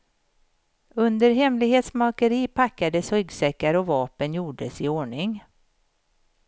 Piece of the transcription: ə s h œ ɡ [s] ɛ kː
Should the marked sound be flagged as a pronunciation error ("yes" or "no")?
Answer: no